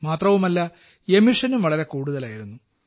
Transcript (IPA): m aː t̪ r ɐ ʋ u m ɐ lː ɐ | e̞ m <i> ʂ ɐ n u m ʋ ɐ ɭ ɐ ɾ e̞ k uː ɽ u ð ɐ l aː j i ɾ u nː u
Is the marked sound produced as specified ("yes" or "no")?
yes